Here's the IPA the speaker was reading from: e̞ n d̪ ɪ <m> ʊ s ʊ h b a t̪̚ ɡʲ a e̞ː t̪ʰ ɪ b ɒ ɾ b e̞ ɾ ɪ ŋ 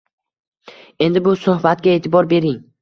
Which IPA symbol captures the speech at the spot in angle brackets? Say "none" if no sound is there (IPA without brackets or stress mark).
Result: b